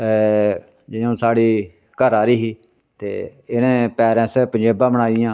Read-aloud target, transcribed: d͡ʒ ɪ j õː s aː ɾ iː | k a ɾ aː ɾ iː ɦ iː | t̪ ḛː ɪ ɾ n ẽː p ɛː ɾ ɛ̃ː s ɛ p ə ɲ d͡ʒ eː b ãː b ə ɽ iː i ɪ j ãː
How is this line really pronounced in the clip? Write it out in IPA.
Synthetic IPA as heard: d͡ʒ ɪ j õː s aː ɽ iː | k ə ɾ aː ɾ iː ɦ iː | t̪ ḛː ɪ n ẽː p ɛː ɾ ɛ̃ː s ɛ p ə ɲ d͡ʒ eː b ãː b ə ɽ aː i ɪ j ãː